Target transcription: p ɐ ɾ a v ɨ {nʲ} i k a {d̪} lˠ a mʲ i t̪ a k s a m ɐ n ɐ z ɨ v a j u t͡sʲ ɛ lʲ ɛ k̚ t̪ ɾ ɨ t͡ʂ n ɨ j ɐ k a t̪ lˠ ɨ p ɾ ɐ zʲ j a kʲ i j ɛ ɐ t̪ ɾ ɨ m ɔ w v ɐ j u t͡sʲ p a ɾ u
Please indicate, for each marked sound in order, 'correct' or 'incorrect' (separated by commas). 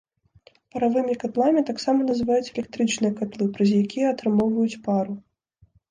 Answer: incorrect, incorrect